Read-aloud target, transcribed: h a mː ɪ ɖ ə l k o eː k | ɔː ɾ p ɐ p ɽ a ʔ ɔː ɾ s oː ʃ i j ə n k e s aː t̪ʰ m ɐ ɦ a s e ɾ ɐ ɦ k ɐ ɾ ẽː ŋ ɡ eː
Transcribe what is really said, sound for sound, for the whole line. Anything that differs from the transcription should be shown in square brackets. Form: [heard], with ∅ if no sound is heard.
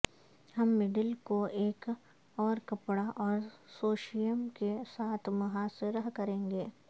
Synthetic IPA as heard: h [ɐ] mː ɪ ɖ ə l k o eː k | ɔː ɾ [k] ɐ p ɽ a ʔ ɔː ɾ s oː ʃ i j ə [m] k e s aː t̪ʰ m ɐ ɦ a s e ɾ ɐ ɦ k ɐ ɾ ẽː ŋ ɡ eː